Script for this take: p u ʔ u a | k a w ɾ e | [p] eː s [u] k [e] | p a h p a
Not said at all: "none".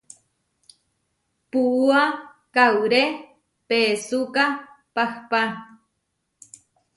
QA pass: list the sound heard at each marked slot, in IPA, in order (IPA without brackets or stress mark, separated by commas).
p, u, a